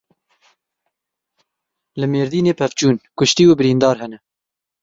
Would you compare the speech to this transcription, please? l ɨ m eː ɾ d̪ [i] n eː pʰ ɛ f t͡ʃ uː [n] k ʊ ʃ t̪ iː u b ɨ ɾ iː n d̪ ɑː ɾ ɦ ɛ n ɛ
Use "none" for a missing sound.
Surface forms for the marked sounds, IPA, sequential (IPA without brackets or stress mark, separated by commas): iː, n